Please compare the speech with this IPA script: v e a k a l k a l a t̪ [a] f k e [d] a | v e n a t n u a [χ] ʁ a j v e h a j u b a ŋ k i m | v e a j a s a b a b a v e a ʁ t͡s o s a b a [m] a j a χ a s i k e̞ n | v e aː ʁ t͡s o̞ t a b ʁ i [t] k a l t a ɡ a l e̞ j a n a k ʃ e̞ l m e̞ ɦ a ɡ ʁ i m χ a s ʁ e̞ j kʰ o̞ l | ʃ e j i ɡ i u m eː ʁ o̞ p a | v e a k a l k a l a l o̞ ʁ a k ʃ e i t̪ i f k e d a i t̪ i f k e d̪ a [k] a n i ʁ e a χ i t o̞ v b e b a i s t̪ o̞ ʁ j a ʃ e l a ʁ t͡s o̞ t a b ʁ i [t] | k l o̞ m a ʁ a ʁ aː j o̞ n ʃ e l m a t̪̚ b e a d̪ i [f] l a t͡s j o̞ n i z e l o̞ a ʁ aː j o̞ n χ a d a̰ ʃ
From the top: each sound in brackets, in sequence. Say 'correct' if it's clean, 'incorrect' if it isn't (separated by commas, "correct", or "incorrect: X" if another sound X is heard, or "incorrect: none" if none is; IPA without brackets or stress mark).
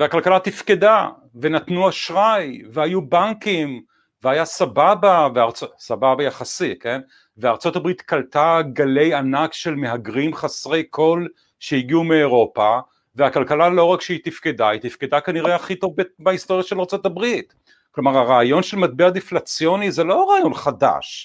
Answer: incorrect: i, correct, incorrect: ʃ, incorrect: b, correct, correct, correct, correct